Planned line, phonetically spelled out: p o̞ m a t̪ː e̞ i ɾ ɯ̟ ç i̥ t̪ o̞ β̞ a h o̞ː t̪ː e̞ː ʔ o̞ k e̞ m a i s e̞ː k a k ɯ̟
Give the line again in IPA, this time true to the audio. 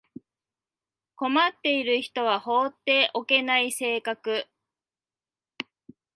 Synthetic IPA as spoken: k o̞ m a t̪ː e̞ i ɾ ɯ̟ ç i̥ t̪ o̞ β̞ a h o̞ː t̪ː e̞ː ʔ o̞ k e̞ n a i s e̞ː k a k ɯ̟